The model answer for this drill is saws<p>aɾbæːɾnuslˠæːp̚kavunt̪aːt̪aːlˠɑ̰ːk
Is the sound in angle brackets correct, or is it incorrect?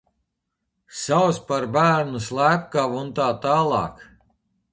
correct